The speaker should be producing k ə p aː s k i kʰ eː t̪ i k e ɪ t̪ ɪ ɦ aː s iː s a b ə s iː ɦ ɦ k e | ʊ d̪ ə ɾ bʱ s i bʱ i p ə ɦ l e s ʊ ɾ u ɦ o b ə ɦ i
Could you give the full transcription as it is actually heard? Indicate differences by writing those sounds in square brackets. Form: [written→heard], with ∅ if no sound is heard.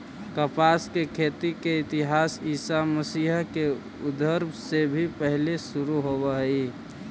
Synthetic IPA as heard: k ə p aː s k [i→e] kʰ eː t̪ i k e ɪ t̪ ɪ ɦ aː s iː s a [b→m] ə s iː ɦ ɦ k e | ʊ d̪ ə ɾ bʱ s [i→e] bʱ i p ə ɦ l e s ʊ ɾ u ɦ o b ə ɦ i

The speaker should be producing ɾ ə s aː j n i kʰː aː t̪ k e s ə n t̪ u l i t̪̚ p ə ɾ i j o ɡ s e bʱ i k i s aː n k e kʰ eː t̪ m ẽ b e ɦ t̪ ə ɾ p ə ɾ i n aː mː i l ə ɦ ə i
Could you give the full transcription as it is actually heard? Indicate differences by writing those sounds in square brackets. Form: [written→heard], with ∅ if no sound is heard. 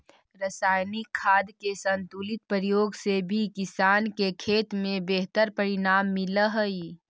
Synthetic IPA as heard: ɾ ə s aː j n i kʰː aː [t̪→d̪] k e s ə n t̪ u l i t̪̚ p ə ɾ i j o ɡ s e bʱ i k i s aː n k e kʰ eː t̪ m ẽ b e ɦ t̪ ə ɾ p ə ɾ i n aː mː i l ə ɦ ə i

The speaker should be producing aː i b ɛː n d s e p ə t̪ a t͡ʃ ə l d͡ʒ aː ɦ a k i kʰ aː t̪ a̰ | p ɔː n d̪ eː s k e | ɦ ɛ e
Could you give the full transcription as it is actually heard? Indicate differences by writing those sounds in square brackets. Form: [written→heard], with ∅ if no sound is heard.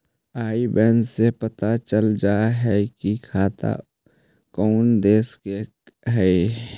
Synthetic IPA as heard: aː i b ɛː n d s e p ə t̪ a t͡ʃ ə l d͡ʒ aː ɦ [a→ɛ] k i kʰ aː t̪ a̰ | [p→k] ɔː n d̪ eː s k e | ɦ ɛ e

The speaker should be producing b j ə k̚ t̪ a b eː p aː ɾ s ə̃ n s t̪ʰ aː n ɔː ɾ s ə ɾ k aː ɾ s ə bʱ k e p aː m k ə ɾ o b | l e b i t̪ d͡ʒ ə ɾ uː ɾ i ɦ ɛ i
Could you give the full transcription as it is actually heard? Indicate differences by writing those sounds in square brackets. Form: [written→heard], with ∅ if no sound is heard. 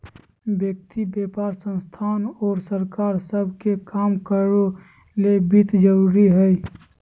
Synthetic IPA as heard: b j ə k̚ t̪ [a→i] b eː p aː ɾ s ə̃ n s t̪ʰ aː n ɔː ɾ s ə ɾ k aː ɾ s ə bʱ k e [p→k] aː m k ə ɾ o [b→∅] | l e b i t̪ d͡ʒ ə ɾ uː ɾ i ɦ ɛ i

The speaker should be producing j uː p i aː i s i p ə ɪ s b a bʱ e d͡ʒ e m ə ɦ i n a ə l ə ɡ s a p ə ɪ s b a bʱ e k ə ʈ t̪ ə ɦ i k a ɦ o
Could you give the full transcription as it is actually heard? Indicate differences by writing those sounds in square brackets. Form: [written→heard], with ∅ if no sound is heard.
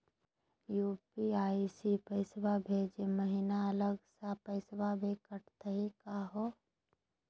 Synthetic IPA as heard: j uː p i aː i s i p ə ɪ s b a bʱ e d͡ʒ e m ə ɦ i n a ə l ə ɡ s a p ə ɪ s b a bʱ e k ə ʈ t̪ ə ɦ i k a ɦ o

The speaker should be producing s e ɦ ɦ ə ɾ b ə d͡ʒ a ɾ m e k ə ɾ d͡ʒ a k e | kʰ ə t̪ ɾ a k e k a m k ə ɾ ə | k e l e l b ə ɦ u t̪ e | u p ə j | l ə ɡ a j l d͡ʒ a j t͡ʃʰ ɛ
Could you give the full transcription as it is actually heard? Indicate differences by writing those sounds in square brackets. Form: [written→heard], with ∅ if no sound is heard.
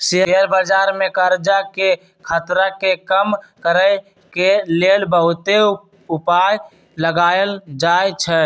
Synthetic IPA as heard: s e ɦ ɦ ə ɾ b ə d͡ʒ a ɾ m e k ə ɾ d͡ʒ a k e | kʰ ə t̪ ɾ a k e k [a→ə] m k ə ɾ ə | k e l e l b ə ɦ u t̪ e | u p [ə→a] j | l ə ɡ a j l d͡ʒ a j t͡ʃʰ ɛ

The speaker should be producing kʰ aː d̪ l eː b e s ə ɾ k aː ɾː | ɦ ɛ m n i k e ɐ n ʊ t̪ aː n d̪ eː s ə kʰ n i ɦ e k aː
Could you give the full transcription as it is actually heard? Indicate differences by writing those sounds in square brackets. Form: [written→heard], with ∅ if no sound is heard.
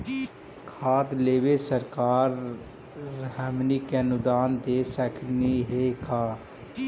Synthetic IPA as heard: kʰ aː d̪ l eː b e s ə ɾ k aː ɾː | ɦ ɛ m n i k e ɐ n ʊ [t̪→d̪] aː n d̪ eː s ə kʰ n i ɦ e k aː

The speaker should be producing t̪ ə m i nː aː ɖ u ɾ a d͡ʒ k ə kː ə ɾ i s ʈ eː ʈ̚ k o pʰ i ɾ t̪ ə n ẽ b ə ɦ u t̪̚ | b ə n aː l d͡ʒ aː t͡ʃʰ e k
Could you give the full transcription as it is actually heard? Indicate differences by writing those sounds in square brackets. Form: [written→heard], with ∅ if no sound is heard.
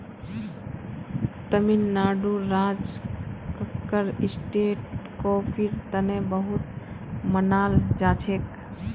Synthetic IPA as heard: t̪ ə m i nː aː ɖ u ɾ a d͡ʒ k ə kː ə ɾ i s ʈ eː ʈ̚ k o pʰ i ɾ t̪ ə n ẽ b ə ɦ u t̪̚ | [b→m] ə n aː l d͡ʒ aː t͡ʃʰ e k

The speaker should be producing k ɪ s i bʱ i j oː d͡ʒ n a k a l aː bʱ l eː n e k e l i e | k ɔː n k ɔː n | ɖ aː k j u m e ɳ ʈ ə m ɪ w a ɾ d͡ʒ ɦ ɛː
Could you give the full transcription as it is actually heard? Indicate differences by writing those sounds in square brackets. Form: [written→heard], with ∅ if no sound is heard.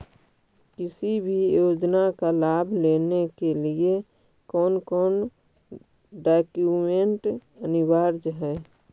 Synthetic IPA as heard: k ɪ s i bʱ i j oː d͡ʒ n a k a l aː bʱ l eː n e k e l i e | k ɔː n k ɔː n | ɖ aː k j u m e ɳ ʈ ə [m→n] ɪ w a ɾ d͡ʒ ɦ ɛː

